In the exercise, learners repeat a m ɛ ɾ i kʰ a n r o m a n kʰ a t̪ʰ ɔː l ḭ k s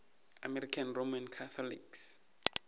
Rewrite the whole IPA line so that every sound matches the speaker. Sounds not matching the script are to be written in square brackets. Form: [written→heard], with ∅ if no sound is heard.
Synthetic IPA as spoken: a m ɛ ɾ i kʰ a n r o m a n kʰ a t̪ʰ [ɔː→ɔ] l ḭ k s